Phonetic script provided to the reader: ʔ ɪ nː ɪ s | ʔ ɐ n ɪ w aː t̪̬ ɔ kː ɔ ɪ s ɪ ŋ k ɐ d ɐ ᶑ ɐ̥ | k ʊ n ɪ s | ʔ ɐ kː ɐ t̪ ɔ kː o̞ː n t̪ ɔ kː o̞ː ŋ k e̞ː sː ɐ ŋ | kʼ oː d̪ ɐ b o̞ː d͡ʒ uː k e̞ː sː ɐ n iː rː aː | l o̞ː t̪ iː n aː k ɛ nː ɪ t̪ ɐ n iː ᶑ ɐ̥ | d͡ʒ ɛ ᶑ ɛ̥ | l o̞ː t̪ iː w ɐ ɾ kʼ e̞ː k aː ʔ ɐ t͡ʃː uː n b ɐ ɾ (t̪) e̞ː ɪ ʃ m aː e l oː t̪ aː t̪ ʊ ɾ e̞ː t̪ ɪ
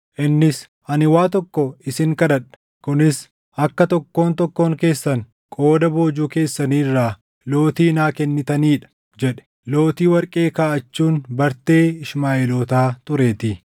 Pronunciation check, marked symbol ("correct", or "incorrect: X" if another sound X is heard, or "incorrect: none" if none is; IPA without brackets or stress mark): correct